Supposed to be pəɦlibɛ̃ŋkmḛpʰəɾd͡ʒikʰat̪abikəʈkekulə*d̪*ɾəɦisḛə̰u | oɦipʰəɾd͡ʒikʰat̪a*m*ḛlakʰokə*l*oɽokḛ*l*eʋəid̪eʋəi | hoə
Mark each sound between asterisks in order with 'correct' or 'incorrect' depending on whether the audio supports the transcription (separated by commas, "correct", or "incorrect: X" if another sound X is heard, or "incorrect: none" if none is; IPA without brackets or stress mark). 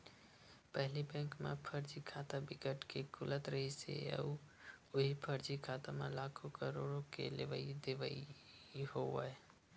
incorrect: t̪, correct, incorrect: ɾ, correct